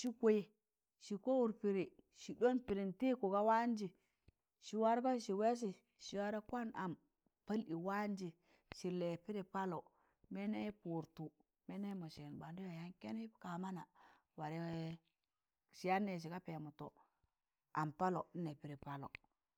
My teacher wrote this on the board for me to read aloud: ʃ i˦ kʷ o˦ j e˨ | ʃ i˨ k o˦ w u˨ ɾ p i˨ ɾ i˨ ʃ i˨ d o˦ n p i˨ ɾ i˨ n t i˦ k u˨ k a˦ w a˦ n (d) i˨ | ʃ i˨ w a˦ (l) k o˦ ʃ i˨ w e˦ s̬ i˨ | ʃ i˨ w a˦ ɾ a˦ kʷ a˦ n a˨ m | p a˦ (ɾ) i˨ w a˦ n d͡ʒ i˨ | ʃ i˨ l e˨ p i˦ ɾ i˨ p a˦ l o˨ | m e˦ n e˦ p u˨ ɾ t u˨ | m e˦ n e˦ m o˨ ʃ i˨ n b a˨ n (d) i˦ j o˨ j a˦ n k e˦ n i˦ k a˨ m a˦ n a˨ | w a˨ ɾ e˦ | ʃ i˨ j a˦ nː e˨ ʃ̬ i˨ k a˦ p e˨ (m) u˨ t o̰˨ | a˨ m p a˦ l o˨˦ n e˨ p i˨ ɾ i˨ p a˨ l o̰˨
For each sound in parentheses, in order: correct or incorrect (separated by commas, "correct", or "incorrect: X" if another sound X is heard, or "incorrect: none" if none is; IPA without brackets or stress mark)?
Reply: incorrect: d͡ʒ, incorrect: ɾ, incorrect: l, correct, correct